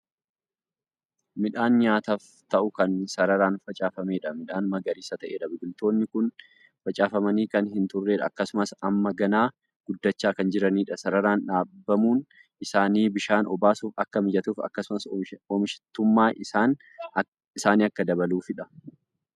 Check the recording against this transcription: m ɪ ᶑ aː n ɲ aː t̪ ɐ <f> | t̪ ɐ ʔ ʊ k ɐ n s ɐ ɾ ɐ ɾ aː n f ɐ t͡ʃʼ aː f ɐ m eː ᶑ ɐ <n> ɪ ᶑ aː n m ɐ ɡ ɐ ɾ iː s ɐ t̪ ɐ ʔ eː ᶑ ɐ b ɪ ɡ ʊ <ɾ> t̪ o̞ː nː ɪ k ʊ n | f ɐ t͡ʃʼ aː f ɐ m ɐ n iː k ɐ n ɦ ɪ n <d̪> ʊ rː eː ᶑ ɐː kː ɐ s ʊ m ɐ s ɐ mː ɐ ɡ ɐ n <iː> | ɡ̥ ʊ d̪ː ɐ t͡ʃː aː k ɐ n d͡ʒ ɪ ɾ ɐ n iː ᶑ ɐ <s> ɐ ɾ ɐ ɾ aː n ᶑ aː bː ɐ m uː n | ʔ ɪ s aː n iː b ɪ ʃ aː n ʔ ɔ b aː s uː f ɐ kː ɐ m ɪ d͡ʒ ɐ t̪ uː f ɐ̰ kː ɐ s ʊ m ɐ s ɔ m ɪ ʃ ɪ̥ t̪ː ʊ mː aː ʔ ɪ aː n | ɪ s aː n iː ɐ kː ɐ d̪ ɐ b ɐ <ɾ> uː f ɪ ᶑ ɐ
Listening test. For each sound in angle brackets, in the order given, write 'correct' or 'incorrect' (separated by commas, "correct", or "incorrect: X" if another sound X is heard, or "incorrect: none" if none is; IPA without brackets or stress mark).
correct, incorrect: m, incorrect: l, incorrect: t̪, incorrect: aː, correct, incorrect: l